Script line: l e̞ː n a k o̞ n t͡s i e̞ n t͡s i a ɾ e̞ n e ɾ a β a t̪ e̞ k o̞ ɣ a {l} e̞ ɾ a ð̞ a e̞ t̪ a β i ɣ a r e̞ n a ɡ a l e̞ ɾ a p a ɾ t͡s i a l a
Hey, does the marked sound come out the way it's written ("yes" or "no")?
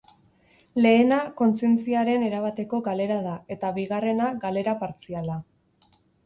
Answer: yes